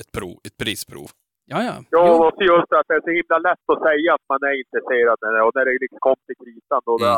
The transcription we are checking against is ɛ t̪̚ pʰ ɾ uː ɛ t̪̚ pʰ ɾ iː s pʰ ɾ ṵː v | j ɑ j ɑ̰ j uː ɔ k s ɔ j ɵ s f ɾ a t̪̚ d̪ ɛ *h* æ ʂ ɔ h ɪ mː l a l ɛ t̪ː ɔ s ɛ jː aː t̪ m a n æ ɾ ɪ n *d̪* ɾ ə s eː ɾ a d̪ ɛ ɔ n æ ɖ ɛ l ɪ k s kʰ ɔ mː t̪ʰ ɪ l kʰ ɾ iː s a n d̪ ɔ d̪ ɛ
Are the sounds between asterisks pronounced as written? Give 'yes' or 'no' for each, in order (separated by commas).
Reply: no, no